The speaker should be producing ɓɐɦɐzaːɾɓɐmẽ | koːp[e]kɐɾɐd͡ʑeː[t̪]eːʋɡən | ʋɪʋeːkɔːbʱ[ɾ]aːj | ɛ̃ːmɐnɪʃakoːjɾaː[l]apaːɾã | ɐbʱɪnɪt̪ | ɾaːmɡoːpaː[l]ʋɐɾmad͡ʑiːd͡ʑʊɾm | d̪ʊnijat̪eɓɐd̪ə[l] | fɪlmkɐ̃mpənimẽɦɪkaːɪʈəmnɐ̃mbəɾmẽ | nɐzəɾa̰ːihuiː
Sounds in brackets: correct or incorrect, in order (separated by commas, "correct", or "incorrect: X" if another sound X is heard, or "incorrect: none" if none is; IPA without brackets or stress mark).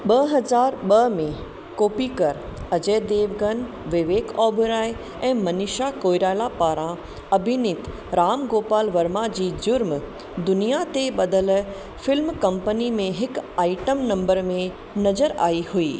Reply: incorrect: i, incorrect: d̪, correct, correct, correct, correct